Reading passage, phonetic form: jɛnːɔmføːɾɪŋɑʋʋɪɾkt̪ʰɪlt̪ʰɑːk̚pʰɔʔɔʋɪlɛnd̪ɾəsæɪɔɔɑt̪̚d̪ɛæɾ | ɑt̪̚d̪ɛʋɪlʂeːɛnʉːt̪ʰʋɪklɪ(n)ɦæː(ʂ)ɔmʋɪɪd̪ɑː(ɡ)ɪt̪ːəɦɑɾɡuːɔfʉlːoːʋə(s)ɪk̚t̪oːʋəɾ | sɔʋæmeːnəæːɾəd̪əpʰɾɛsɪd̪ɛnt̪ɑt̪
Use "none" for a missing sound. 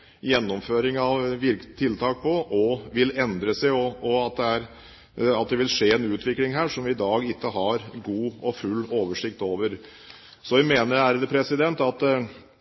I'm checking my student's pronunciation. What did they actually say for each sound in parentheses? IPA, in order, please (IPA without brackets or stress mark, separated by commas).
ŋ, ʂ, ɡ, ʂ